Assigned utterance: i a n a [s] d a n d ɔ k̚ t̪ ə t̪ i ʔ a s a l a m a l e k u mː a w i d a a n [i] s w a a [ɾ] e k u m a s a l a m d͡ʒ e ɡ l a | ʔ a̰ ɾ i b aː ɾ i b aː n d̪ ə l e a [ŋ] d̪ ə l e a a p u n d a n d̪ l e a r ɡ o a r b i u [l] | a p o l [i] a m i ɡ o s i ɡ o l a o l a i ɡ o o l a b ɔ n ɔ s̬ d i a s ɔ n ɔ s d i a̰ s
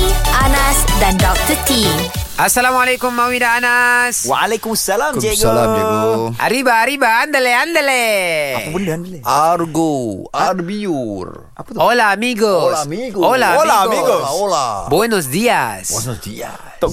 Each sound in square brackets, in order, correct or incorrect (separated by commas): correct, incorrect, incorrect, incorrect, incorrect, incorrect